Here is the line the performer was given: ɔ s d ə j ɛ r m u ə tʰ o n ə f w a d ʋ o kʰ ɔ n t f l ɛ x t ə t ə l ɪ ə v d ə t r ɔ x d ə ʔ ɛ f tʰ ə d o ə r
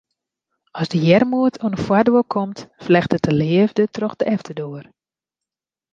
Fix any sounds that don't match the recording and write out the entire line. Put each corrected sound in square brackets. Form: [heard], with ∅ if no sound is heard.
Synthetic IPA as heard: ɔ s d ə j ɛ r m u ə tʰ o n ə f w a d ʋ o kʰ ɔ [m] t f l ɛ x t ə t ə l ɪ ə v d ə t r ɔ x d ə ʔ ɛ f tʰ ə d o ə r